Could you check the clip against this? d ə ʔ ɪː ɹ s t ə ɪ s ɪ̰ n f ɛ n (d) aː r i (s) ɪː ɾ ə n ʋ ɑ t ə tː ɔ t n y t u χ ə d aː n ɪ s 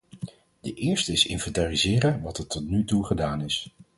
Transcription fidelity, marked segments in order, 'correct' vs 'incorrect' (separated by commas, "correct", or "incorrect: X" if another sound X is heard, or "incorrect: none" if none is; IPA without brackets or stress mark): incorrect: t, incorrect: z